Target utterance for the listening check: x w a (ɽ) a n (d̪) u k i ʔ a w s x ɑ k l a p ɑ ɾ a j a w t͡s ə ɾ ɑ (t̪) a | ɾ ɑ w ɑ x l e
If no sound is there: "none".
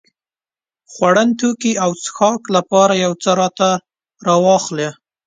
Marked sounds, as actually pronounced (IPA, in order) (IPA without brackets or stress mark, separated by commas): ɽ, t̪, t̪